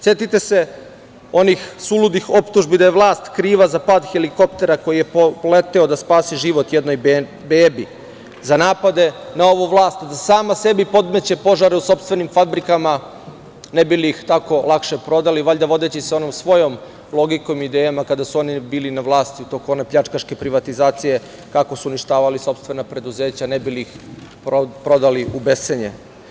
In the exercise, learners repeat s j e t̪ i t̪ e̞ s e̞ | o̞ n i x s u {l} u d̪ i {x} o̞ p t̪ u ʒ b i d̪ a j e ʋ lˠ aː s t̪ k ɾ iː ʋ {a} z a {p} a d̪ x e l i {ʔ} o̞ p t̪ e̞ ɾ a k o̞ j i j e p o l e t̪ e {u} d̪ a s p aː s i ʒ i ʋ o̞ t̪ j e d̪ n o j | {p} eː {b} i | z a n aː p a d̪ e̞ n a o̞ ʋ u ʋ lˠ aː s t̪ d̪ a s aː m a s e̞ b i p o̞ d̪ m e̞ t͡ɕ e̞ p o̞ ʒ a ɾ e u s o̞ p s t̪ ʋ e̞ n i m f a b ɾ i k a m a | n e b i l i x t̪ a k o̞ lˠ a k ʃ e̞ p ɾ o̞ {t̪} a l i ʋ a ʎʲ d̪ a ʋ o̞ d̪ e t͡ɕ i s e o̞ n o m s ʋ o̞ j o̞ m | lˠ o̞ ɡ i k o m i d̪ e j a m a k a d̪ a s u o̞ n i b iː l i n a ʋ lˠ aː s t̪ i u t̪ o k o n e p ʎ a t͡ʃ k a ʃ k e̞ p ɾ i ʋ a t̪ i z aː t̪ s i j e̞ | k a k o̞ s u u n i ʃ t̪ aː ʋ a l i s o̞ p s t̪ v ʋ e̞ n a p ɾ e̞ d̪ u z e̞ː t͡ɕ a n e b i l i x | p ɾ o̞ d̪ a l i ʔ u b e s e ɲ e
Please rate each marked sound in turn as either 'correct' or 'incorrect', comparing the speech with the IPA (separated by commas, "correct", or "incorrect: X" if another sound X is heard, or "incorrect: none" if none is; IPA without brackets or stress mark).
correct, correct, correct, correct, incorrect: k, incorrect: o, incorrect: b, correct, incorrect: d̪